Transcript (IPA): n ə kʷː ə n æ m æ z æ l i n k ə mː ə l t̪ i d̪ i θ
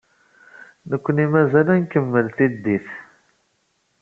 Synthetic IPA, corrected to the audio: n ə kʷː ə n i m æ z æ l æ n k ə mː ə l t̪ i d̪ i θ